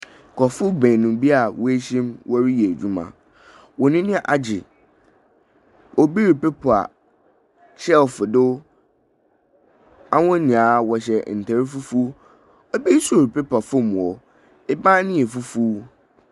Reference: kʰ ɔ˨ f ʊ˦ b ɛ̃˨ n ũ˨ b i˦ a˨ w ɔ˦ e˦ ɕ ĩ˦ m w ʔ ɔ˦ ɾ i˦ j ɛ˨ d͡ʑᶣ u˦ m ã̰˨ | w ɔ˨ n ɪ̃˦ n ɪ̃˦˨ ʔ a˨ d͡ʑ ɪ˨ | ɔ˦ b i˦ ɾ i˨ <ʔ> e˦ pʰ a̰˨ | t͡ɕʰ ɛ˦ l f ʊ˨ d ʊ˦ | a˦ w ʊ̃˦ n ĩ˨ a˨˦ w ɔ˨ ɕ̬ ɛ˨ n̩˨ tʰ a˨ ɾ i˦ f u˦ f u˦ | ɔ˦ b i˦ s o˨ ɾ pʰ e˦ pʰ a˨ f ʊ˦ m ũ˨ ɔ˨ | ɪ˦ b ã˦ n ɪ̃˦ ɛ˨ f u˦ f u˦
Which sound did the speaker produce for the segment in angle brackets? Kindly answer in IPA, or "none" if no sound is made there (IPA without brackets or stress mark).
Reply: p